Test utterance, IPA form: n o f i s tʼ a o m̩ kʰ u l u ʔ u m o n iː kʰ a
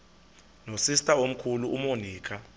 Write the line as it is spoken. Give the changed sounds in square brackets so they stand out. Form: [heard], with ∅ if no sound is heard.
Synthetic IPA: n o [s] i s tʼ a o m̩ kʰ u l u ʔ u m o n iː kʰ a